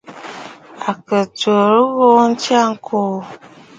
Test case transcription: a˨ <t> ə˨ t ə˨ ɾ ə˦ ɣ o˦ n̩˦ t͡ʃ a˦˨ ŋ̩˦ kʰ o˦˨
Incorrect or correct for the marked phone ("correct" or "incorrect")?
incorrect